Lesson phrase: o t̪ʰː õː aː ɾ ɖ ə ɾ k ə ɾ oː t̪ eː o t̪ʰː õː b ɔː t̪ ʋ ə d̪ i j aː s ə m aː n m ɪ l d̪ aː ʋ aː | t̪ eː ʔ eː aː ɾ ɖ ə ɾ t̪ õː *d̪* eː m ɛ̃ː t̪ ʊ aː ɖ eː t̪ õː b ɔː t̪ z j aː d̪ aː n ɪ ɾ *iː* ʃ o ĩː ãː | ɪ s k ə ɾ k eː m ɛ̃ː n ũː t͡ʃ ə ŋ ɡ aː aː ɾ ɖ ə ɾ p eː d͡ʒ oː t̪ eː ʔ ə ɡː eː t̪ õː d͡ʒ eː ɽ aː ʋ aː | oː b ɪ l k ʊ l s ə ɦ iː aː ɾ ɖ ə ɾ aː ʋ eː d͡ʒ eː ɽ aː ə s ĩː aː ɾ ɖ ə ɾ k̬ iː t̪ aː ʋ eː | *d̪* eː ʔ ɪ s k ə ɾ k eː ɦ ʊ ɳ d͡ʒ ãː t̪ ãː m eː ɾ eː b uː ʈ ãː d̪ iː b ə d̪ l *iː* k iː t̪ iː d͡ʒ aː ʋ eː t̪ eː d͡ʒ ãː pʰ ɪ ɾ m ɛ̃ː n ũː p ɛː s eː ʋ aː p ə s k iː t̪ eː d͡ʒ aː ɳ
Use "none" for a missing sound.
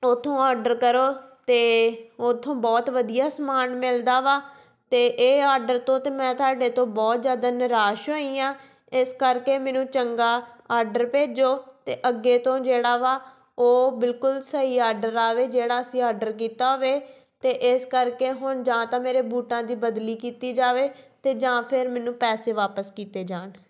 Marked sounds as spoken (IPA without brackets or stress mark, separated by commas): t̪, aː, t̪, iː